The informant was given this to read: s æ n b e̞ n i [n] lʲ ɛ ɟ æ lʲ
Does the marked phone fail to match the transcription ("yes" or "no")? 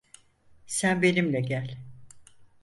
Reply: yes